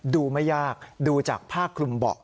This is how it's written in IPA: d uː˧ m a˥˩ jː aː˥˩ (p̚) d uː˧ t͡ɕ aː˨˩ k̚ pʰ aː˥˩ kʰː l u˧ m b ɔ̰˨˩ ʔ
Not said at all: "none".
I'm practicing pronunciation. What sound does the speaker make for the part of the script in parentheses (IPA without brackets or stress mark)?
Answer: k̚